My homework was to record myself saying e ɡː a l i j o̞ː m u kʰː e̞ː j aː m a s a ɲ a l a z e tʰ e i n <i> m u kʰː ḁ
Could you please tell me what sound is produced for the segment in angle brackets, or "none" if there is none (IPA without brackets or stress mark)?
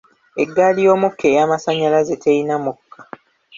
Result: a